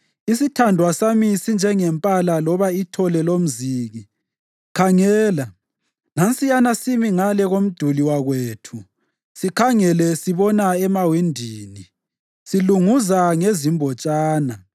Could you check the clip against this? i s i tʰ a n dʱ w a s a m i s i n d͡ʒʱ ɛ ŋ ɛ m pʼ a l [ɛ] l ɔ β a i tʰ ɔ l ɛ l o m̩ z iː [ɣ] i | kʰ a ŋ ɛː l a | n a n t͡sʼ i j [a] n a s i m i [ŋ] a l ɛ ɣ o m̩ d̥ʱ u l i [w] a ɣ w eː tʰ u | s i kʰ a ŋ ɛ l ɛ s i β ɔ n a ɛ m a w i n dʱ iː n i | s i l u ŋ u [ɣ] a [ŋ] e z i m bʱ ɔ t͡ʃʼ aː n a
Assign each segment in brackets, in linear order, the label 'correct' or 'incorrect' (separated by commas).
incorrect, correct, correct, correct, correct, incorrect, correct